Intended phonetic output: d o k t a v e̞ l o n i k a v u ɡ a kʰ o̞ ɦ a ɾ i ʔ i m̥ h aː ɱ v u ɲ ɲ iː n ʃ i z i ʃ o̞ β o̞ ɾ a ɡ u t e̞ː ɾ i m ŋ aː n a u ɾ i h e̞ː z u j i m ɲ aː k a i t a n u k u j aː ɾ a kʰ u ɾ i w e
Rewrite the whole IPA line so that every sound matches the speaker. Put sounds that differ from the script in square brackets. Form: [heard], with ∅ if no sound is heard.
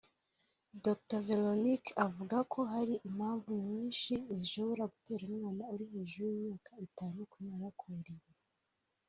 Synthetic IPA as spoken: d o k t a v e̞ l o n i k a v u ɡ a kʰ o̞ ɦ a ɾ i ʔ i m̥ h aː ɱ v u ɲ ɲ iː n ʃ i z i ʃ o̞ β o̞ ɾ a ɡ u t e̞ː ɾ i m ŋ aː n a u ɾ i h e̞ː [ʒ] u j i m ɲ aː k a i t a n u k u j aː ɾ a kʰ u ɾ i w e

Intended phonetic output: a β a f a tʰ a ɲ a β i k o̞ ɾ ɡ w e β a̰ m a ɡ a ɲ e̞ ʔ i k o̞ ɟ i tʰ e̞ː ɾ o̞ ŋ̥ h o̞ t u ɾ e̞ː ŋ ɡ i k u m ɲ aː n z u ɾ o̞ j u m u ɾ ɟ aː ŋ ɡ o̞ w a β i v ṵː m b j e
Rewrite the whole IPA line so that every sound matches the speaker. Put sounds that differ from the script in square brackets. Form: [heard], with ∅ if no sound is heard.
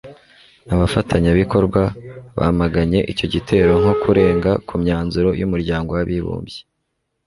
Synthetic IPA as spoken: a β a f a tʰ a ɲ a β i k o̞ ɾ ɡ w [a] β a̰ m a ɡ a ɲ e̞ ʔ i [c] o̞ ɟ i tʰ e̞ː ɾ o̞ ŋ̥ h o̞ [k] u ɾ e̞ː ŋ ɡ [a] k u m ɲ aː n z u ɾ o̞ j u m u ɾ ɟ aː ŋ ɡ o̞ w a β i [β] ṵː m b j e

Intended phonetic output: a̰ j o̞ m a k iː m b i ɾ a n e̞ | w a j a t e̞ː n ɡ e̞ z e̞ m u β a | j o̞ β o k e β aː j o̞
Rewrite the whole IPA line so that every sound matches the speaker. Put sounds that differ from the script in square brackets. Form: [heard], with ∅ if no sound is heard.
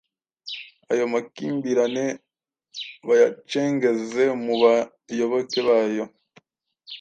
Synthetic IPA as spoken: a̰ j o̞ m a k iː m b i ɾ a n e̞ | [β] a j a [t͡ʃ] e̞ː [ŋ] ɡ e̞ z e̞ m u β a | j o̞ β o k e β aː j o̞

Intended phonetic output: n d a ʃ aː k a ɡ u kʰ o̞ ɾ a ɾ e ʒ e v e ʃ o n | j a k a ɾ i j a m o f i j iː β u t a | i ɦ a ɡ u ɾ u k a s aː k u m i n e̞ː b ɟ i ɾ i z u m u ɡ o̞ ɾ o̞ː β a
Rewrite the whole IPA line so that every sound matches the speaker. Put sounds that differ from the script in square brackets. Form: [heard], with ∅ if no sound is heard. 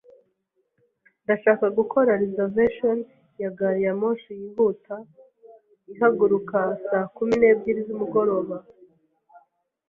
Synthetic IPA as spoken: n d a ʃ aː k a ɡ u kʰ o̞ ɾ a ɾ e [z] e v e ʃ o n | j a [ɡ] a ɾ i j a m o [ʃ] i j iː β u t a | i ɦ a ɡ u ɾ u k a s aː k u m i n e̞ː b ɟ i ɾ i z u m u ɡ o̞ ɾ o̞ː β a

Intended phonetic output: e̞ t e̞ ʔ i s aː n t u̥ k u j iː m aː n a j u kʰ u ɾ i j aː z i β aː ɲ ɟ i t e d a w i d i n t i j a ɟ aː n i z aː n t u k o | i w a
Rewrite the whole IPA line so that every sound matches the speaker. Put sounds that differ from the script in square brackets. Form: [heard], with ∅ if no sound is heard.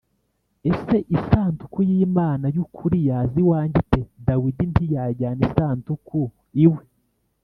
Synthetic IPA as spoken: e̞ [s] e̞ ʔ i s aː n t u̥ k u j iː m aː n a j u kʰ u ɾ i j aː z i [w] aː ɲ ɟ i t e d a w i d i n t i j a ɟ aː n i [s] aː n t u k [u] | i w [e]

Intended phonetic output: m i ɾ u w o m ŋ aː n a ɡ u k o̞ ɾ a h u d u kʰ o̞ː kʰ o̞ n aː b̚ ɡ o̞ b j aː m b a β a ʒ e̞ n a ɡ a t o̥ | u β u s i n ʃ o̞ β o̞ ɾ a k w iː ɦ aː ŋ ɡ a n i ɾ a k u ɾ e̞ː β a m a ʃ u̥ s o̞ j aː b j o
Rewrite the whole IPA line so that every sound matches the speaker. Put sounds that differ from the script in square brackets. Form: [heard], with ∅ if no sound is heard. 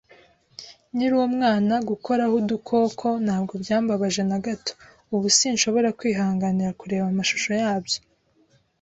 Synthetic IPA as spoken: [n] i ɾ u w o m ŋ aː n a ɡ u k o̞ ɾ a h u d u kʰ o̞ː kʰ o̞ n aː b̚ ɡ o̞ b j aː m b a β a ʒ e̞ n a ɡ a t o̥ | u β u s i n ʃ o̞ β o̞ ɾ a k w iː ɦ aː ŋ ɡ a n i ɾ a k u ɾ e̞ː β a m a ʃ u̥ [ʃ] o̞ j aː b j o

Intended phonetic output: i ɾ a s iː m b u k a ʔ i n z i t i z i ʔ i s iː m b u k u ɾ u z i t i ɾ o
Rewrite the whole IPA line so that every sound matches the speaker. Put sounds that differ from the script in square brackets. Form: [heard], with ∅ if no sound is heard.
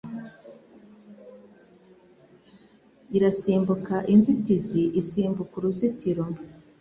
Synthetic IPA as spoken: i ɾ a s iː m b u k a ʔ i n z i t i z i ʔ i s iː m b u k u ɾ u z i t i ɾ o

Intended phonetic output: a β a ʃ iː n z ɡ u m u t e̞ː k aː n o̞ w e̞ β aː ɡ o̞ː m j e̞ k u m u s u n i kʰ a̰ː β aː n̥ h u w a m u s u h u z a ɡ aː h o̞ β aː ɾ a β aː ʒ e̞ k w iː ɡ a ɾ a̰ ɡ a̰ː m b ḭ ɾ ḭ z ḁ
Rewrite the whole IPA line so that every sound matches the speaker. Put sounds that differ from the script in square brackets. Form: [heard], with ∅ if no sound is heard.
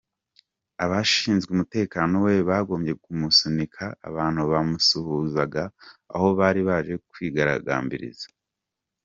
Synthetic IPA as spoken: a β a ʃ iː n z ɡ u m u t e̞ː k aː n o̞ w e̞ β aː ɡ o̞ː m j e̞ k u m u s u n i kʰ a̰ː β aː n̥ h u [β] a m u s u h u z a ɡ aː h o̞ β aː ɾ [i] β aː ʒ e̞ k w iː ɡ a ɾ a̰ ɡ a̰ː m b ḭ ɾ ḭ z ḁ

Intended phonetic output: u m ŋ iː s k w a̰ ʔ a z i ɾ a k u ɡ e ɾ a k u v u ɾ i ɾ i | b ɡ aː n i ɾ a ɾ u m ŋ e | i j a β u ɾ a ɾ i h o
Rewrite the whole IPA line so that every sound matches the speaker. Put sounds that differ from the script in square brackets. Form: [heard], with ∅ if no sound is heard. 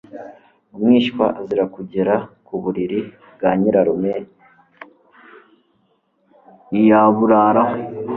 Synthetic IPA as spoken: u m ŋ iː [ʃ] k w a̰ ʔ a z i ɾ a k u [ɟ] e ɾ a k u [β] u ɾ i ɾ i | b ɡ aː [ɲ] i ɾ a ɾ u m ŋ e | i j a β u ɾ a ɾ [a] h o

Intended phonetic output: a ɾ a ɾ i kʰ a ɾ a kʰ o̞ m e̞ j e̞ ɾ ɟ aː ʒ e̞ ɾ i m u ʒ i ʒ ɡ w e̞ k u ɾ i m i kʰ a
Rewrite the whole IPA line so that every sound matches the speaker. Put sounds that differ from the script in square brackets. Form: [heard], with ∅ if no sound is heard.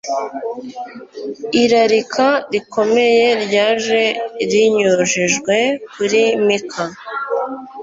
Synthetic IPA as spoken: [i] ɾ a ɾ i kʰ a ɾ [i] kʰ o̞ m e̞ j e̞ ɾ ɟ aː ʒ e̞ ɾ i [ɲ] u ʒ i ʒ ɡ w e̞ k u ɾ i m i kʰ a

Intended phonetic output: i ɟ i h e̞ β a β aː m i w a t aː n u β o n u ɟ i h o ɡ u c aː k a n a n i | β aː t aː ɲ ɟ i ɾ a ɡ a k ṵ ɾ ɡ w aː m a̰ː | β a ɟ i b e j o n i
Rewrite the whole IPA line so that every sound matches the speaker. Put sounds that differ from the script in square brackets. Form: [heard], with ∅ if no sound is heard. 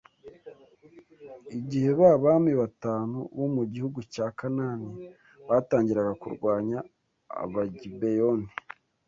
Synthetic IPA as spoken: i ɟ i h e̞ β a β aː m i [β] a t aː n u β o [m] u ɟ i h [u] ɡ u c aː k a n a n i | β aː t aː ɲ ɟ i ɾ a ɡ a k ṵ ɾ ɡ w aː [ɲ] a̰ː | β a ɟ i b e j o n i

